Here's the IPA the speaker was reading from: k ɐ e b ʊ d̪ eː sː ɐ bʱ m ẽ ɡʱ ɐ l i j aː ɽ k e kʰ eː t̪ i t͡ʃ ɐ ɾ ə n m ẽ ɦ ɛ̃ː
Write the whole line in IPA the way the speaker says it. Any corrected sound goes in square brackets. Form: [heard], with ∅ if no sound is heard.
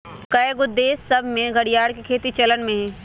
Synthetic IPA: k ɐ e [ɡ] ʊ d̪ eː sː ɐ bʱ m ẽ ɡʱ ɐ [ɽ] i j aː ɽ k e kʰ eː t̪ i t͡ʃ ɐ [l] ə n m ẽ ɦ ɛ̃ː